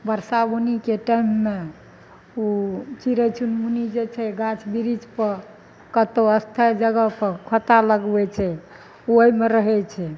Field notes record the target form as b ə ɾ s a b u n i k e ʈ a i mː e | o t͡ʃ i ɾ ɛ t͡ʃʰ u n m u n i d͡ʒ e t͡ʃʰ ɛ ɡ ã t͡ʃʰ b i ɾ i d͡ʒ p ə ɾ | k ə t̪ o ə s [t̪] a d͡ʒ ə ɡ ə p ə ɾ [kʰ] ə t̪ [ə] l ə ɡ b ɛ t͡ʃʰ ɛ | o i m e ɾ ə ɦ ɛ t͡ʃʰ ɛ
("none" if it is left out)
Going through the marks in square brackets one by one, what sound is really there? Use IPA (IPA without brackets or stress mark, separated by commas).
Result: t̪ʰ, kʰ, a